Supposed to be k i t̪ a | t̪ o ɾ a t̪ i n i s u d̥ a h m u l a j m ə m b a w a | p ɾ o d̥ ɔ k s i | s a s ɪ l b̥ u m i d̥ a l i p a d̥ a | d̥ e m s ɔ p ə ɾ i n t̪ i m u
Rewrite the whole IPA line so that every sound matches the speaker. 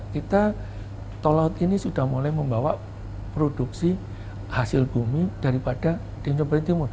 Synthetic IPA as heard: k i t̪ a | t̪ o l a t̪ i n i s u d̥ a h m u l a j m ə m b a w a | p ɾ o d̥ u k s i | h a s ɪ l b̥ u m i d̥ a ɾ i p a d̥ a | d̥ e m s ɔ p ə ɾ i n t̪ i m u